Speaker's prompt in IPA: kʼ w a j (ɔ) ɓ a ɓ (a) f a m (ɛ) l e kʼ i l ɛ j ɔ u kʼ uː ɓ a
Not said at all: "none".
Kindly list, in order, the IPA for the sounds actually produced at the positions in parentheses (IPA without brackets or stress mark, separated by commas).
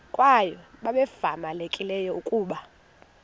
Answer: ɔ, ɛ, a